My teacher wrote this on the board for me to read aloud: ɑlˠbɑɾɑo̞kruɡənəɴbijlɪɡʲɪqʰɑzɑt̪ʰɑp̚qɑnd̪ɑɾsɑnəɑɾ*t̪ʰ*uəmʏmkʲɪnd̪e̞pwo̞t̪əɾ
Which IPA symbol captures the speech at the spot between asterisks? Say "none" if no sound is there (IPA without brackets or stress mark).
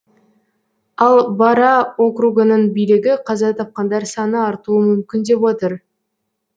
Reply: t̪